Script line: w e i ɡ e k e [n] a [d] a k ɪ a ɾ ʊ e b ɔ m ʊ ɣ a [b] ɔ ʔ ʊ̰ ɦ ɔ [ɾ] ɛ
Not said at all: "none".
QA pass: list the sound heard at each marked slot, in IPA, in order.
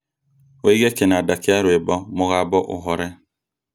n, d, b, ɾ

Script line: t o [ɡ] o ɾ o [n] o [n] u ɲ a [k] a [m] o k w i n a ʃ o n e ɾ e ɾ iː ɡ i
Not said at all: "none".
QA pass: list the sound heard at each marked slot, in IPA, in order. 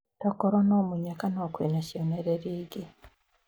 k, n, m, k, n

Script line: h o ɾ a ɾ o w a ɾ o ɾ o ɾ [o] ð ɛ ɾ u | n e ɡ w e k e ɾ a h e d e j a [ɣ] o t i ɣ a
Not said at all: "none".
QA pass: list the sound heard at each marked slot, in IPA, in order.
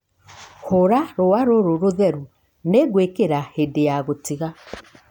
o, ɣ

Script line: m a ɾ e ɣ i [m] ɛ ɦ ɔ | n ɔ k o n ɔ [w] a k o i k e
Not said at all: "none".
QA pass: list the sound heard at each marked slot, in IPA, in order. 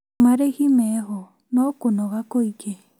m, ɣ

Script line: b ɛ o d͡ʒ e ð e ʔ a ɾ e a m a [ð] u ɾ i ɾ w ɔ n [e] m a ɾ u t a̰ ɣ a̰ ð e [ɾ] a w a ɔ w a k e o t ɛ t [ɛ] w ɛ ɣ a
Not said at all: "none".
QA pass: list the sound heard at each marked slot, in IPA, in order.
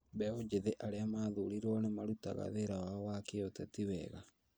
ð, e, ɾ, i

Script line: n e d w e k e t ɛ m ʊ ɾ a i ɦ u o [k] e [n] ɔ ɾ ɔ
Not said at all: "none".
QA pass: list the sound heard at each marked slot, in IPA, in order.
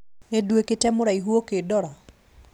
k, d

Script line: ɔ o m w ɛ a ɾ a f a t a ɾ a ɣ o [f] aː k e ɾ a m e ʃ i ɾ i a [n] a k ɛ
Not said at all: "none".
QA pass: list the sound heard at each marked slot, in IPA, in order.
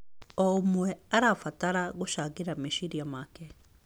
ʃ, m

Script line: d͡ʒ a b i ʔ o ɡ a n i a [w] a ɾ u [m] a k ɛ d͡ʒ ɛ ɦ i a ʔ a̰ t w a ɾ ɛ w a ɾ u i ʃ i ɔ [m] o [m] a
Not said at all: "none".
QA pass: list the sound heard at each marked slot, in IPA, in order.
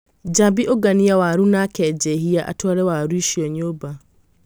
w, n, ɲ, b

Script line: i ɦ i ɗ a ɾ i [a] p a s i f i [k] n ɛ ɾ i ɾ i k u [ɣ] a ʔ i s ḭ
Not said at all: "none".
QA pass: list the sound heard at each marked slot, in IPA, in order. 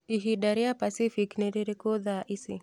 a, k, ð

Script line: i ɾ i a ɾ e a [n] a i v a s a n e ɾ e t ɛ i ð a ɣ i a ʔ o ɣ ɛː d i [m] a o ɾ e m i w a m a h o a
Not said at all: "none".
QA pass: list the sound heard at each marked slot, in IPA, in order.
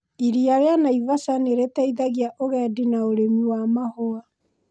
n, n

